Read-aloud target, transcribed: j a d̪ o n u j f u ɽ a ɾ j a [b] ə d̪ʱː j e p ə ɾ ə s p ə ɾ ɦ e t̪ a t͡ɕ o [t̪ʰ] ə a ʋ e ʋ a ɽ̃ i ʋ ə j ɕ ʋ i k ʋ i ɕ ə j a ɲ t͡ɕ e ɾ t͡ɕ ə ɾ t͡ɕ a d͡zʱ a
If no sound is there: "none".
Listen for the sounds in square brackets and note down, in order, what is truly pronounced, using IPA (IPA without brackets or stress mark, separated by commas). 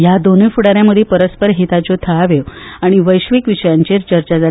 m, t̪ʰ